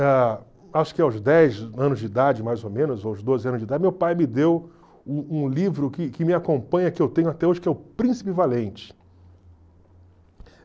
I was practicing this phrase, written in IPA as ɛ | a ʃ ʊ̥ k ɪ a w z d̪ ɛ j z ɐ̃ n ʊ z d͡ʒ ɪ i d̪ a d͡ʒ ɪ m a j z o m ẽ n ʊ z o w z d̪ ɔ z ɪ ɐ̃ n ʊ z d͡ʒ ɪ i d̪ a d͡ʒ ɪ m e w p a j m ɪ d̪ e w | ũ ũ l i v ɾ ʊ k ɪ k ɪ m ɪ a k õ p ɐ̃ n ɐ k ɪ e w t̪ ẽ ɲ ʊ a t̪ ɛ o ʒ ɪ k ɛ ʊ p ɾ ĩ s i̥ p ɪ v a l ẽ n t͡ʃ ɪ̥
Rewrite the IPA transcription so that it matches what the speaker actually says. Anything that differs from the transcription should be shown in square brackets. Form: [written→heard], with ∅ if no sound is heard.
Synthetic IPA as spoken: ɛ | a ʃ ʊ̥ k ɪ a w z d̪ ɛ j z ɐ̃ n ʊ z d͡ʒ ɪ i d̪ a d͡ʒ ɪ m a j z o m ẽ n ʊ z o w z d̪ [ɔ→o] z ɪ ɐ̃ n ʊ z d͡ʒ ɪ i d̪ a d͡ʒ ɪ m e w p a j m ɪ d̪ e w | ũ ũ l i v ɾ ʊ k ɪ k ɪ m ɪ a k õ p ɐ̃ [n→ɲ] ɐ k ɪ e w t̪ ẽ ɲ ʊ a t̪ ɛ o ʒ ɪ k ɛ ʊ p ɾ ĩ s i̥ p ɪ v a l ẽ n t͡ʃ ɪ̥